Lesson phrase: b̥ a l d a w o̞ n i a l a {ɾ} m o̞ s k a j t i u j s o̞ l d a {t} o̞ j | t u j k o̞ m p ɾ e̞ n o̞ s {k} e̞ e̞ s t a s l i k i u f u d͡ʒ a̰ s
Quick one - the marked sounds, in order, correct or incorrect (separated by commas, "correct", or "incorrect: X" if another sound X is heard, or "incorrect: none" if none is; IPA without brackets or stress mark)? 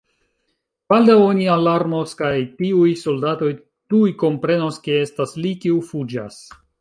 correct, correct, correct